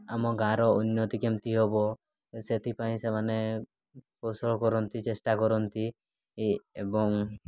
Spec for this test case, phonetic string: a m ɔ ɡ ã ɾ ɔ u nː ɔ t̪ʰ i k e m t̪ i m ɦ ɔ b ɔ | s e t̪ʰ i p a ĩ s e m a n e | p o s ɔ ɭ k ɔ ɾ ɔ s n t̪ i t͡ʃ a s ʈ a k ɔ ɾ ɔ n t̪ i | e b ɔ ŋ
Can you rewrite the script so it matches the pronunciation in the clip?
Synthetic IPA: a m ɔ ɡ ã ɾ ɔ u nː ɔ t̪ i k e m t̪ i ɦ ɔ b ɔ | s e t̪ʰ i p a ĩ s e m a n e | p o s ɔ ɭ k ɔ ɾ ɔ n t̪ i t͡ʃ e s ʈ a k ɔ ɾ ɔ n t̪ i | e b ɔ ŋ

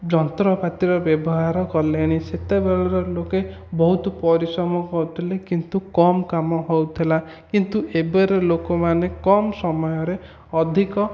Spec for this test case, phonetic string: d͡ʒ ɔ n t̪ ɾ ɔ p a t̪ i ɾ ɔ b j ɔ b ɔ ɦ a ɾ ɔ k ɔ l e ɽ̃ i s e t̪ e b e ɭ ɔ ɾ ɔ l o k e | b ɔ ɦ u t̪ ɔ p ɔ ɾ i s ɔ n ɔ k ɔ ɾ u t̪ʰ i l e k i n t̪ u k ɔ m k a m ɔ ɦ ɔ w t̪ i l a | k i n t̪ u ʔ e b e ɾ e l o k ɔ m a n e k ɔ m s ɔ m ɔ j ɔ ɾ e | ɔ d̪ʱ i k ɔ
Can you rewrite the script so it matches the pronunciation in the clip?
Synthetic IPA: d͡ʒ ɔ n t̪ ɾ ɔ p a t̪ i ɾ ɔ b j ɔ b ɔ ɦ a ɾ ɔ k ɔ l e ɽ̃ i s e t̪ e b e ɭ ɔ ɾ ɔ l o k e | b ɔ ɦ u t̪ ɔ p ɔ ɾ i s ɔ m ɔ k ɔ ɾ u t̪ʰ i l e k i n t̪ u k ɔ m k a m ɔ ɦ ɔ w t̪ʰ i l a | k i n t̪ u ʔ e b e ɾ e l o k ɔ m a n e k ɔ m s ɔ m ɔ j ɔ ɾ e | ɔ d̪ʱ i k ɔ

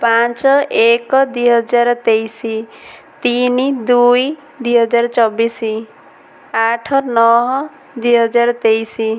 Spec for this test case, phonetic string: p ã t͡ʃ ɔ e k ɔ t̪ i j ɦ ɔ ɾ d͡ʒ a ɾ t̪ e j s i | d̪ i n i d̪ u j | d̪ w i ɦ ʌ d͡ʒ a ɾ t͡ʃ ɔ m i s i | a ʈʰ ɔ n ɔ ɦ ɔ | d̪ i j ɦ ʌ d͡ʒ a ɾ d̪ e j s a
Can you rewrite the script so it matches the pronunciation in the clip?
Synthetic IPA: p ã t͡ʃ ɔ e k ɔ d̪ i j ɦ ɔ d͡ʒ a ɾ t̪ e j s i | t̪ i n i d̪ u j | d̪ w i ɦ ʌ d͡ʒ a ɾ t͡ʃ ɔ b i s i | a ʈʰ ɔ n ɔ ɦ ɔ | d̪ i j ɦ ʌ d͡ʒ a ɾ t̪ e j s i

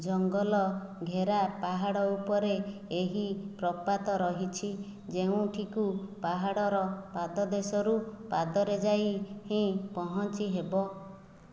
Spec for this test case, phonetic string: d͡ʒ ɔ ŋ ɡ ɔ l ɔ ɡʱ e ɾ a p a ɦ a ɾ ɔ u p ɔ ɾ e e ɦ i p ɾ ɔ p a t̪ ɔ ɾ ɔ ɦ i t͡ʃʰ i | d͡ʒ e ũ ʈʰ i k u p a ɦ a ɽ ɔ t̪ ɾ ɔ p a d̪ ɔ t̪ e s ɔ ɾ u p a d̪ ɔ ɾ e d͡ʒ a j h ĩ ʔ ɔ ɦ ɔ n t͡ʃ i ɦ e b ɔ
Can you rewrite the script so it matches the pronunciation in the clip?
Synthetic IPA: d͡ʒ ɔ ŋ ɡ ɔ l ɔ ɡʱ e ɾ a p a ɦ a ɽ ɔ u p ɔ ɾ e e ɦ i p ɾ ɔ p a t̪ ɔ ɾ ɔ ɦ i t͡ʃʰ i | d͡ʒ e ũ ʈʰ i k u p a ɦ a ɽ ɔ ɾ ɔ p a d̪ ɔ d̪ e s ɔ ɾ u p a d̪ ɔ ɾ e d͡ʒ a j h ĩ p ɔ ɦ ɔ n t͡ʃ i ɦ e b ɔ

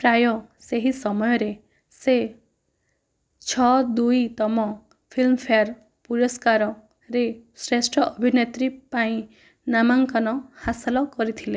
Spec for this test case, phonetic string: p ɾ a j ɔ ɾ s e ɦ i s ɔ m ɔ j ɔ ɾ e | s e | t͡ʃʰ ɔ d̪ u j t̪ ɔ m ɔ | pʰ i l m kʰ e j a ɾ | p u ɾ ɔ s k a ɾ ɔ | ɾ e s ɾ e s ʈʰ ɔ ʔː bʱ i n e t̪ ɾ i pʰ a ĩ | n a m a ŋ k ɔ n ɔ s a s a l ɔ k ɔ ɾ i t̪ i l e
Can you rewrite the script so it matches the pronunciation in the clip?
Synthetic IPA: p ɾ a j ɔ s e ɦ i s ɔ m ɔ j ɔ ɾ e | s e | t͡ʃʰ ɔ d̪ u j t̪ ɔ m ɔ | pʰ i l m pʰ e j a ɾ | p u ɾ ɔ s k a ɾ ɔ | ɾ e s ɾ e s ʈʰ ɔ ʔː bʱ i n e t̪ ɾ i p a ĩ | n a m a ŋ k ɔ n ɔ h a s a l ɔ k ɔ ɾ i t̪ʰ i l e

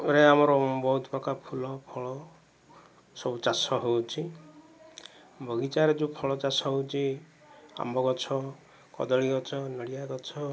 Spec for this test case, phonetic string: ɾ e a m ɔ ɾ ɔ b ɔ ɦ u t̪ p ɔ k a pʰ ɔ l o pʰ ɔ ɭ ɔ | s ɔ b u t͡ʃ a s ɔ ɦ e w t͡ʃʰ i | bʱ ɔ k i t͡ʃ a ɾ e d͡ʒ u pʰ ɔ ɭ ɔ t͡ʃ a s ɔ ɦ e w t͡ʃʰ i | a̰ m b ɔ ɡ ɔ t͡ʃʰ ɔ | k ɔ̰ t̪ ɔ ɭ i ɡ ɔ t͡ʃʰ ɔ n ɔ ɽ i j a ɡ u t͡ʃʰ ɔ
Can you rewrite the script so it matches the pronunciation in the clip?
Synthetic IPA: ɾ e a m ɔ ɾ ɔ b ɔ ɦ u t̪ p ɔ k a pʰ u l ɔ pʰ ɔ ɭ ɔ | s ɔ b u t͡ʃ a s ɔ ɦ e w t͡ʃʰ i | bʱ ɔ ɡ i t͡ʃ a ɾ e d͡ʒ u pʰ ɔ ɭ ɔ t͡ʃ a s ɔ ɦ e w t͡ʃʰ i | a̰ m b ɔ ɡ ɔ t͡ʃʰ ɔ | k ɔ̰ d̪ ɔ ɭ i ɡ ɔ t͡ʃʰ ɔ n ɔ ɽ i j a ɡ ɔ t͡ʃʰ ɔ

